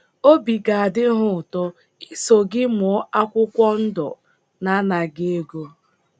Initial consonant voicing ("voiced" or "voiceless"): voiced